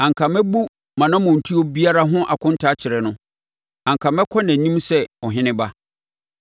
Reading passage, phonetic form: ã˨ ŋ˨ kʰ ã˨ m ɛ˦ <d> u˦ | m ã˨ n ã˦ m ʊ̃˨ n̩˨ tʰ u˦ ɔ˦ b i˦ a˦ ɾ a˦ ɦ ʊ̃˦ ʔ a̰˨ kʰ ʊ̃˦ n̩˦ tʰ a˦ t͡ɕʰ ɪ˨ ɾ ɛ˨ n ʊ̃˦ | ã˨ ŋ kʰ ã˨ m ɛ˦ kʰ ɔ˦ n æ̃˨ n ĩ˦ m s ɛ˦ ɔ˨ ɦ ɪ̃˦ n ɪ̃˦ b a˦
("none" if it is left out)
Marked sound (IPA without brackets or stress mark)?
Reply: b